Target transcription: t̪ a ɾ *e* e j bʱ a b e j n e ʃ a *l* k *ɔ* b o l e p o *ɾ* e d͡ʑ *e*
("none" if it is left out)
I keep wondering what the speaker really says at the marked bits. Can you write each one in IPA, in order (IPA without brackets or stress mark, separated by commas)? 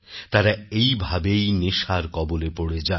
a, ɾ, ɔ, ɽ, a